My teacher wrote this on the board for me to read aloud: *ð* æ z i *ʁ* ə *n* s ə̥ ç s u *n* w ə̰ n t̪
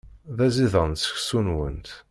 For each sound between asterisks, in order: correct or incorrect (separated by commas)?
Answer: correct, incorrect, correct, correct